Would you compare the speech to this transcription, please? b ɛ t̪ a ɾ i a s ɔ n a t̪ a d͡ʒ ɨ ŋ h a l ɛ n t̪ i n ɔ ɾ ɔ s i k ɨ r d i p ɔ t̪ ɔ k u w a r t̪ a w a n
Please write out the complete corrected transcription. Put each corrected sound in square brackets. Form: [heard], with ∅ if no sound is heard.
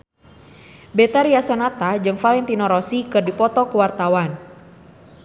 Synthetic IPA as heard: b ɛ t̪ a ɾ i a s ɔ n a t̪ a d͡ʒ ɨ ŋ [f] a l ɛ n t̪ i n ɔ ɾ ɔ s i k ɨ r d i p ɔ t̪ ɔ k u w a r t̪ a w a n